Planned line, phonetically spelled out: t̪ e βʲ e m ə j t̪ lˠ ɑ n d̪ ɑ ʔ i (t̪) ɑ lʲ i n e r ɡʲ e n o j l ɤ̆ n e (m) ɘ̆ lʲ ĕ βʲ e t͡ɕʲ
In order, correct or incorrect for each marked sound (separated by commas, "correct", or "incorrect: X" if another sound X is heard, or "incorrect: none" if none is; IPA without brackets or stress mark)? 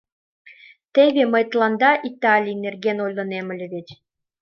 correct, correct